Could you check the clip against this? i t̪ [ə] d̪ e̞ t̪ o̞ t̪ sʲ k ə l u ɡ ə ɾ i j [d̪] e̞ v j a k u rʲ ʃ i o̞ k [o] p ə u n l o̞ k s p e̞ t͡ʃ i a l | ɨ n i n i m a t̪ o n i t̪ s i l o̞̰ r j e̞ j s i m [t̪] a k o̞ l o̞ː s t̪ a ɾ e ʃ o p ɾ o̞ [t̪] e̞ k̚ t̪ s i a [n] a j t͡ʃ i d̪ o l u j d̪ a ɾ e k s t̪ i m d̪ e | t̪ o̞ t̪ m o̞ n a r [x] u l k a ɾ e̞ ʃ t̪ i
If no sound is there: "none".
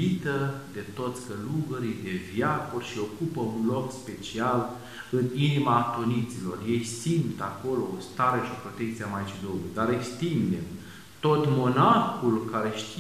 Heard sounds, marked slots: ə, d̪, u, t̪, t̪, m, x

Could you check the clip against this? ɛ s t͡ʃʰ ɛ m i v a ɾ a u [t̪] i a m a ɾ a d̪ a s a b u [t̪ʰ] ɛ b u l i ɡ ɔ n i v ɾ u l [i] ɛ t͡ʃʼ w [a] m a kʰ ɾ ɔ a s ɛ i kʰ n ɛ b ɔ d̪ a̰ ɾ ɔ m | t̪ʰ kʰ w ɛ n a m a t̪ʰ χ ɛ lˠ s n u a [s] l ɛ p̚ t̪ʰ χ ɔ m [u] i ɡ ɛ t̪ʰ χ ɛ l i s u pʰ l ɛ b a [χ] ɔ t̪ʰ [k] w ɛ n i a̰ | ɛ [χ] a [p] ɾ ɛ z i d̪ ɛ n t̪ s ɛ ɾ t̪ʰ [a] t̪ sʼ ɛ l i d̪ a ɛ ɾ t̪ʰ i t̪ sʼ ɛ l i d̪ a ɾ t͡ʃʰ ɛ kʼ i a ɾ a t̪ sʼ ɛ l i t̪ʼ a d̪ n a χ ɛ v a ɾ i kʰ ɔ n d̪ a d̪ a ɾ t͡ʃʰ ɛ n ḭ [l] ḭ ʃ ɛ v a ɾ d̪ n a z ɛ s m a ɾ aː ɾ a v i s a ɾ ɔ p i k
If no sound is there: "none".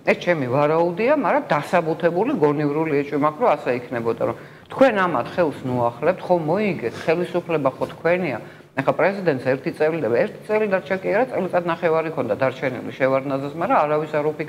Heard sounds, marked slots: d̪, t̪ʰ, i, i, χ, ɔ, χ, kʰ, χ, pʼ, i, l

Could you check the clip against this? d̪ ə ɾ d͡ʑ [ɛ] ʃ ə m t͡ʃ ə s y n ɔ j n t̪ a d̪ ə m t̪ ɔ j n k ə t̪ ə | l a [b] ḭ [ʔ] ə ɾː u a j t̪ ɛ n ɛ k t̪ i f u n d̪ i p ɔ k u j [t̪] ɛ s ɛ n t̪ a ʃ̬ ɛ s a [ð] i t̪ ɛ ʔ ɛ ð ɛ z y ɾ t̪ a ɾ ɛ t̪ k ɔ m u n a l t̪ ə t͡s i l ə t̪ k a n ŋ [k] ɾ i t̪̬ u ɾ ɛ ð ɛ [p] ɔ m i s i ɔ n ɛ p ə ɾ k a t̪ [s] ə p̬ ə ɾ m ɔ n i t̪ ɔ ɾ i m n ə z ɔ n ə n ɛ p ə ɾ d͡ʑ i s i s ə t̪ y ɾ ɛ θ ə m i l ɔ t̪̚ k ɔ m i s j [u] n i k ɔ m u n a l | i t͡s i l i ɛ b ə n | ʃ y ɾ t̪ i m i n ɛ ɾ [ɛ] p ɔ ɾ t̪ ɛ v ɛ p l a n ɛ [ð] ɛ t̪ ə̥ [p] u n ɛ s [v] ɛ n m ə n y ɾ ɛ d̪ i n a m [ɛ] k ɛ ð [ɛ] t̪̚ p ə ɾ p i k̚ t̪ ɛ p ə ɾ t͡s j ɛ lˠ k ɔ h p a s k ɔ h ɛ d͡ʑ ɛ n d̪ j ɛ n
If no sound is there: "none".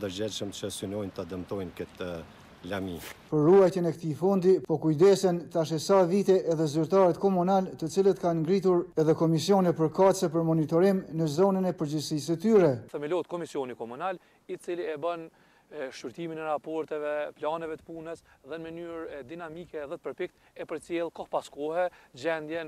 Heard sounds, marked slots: ɛ, m, p, d̪, v, ɡ, k, s, ɔ, a, v, p, ð, i, ɛ

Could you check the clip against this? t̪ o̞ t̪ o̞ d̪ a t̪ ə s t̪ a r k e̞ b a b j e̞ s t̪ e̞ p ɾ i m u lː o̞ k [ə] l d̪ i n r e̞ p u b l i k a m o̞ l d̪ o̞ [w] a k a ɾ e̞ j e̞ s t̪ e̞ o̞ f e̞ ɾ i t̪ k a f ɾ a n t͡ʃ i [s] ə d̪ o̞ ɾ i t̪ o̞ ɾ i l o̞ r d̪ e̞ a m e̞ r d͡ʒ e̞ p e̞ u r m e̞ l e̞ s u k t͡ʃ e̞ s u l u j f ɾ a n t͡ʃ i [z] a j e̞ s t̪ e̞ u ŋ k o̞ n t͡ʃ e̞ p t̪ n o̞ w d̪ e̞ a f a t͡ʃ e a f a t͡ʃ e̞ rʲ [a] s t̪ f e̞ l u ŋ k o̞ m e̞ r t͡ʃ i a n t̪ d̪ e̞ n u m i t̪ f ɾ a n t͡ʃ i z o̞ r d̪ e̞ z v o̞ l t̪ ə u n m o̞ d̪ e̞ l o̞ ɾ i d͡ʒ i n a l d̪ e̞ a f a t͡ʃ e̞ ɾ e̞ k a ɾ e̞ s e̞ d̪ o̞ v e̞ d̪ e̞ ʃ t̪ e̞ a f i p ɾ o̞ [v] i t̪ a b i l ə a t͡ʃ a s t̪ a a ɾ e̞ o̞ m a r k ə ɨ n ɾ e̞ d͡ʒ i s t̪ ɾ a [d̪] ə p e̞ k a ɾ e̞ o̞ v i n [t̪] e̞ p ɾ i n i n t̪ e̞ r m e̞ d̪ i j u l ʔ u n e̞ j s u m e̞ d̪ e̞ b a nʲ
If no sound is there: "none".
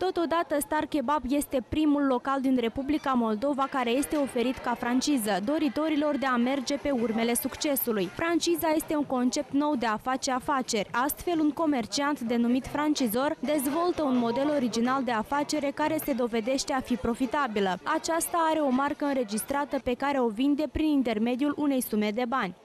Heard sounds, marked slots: a, v, z, z, a, f, t̪, d̪

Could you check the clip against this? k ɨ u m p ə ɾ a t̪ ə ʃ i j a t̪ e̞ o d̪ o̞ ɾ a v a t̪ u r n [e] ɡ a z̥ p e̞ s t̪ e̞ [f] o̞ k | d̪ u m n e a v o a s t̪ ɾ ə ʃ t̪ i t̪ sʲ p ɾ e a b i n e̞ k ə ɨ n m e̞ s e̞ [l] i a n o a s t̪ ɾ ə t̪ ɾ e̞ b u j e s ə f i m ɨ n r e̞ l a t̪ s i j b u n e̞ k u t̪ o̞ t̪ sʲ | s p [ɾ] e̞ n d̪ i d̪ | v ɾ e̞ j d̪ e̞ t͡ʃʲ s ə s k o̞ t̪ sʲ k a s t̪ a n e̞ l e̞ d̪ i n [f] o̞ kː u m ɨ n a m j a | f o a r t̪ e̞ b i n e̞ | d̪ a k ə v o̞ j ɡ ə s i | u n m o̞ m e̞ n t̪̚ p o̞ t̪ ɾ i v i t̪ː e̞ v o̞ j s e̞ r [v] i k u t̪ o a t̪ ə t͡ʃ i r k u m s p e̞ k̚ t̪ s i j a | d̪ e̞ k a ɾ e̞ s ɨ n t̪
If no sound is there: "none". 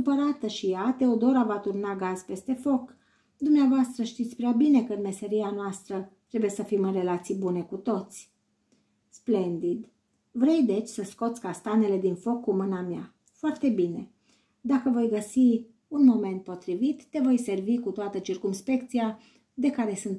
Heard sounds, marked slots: a, f, ɾ, l, f, v

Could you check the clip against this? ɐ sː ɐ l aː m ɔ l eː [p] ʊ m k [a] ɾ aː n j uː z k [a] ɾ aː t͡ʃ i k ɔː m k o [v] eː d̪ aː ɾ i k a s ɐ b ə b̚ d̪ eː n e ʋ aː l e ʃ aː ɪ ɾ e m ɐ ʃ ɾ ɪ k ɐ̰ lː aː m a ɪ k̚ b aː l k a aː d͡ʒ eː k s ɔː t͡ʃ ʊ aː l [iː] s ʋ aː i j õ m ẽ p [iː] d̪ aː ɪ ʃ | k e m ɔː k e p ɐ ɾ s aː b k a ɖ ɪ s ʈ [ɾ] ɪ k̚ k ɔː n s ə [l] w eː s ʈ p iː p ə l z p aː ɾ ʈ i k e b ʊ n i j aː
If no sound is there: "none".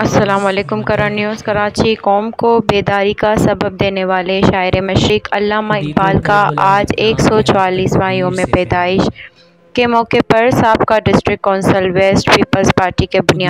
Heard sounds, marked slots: k, ɐ, ɐ, b, iː, ɛː, ɾ, l

